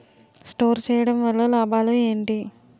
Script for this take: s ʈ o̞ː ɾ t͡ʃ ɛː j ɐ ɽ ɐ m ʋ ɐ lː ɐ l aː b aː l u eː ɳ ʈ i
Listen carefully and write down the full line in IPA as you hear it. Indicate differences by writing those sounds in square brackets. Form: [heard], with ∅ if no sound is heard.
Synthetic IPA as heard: s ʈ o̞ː ɾ t͡ʃ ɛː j ɐ ɽ ɐ m ʋ ɐ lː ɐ l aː b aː l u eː ɳ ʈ i